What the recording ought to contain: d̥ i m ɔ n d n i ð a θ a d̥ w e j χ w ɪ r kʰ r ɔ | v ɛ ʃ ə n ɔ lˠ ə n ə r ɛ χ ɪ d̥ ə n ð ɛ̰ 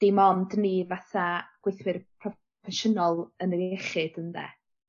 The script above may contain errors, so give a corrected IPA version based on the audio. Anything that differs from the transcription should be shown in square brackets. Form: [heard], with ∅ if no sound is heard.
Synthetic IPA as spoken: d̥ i m ɔ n d n i [v] a θ a [ɡ̥] w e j [θ] w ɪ r [pʰ] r ɔ | [f] ɛ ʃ ə n ɔ lˠ ə n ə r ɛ χ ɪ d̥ ə n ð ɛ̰